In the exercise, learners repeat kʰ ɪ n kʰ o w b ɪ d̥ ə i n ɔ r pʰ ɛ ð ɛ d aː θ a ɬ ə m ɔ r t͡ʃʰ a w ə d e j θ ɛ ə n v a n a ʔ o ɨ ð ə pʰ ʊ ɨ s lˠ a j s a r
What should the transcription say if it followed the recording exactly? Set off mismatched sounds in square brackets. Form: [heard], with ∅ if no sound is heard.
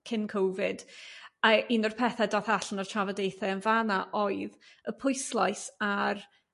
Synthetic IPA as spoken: kʰ ɪ n kʰ o w [v] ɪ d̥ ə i n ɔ r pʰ ɛ [θ] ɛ d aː θ a ɬ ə [n] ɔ r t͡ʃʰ a [v] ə d e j θ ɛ ə n v a n a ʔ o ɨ ð ə pʰ ʊ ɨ s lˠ a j s a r